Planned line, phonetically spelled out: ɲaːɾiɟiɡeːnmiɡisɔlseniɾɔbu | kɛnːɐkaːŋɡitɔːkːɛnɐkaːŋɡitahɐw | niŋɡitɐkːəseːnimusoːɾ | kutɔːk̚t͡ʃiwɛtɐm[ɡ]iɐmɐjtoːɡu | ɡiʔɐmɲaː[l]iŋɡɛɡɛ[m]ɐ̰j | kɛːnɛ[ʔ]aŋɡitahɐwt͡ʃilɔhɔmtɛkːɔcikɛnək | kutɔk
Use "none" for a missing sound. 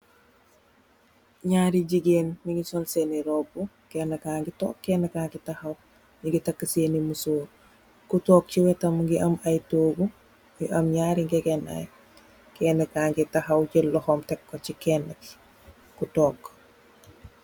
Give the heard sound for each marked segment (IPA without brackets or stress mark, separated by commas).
ɡ, ɾ, n, k